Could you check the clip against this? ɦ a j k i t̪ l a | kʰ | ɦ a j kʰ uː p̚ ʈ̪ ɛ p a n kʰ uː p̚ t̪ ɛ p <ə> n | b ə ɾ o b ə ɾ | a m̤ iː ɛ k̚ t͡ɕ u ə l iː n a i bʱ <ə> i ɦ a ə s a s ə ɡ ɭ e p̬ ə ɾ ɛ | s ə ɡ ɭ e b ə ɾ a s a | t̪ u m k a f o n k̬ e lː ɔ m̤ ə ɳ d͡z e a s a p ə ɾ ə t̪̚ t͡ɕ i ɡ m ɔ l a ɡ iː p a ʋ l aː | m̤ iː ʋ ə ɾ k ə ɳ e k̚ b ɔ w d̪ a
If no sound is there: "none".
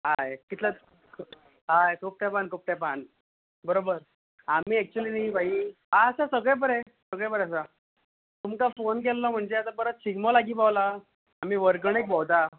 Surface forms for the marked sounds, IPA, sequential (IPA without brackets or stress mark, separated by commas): a, a